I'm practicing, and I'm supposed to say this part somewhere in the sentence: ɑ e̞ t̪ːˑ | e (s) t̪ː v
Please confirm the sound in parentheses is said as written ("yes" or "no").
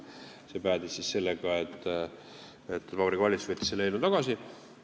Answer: no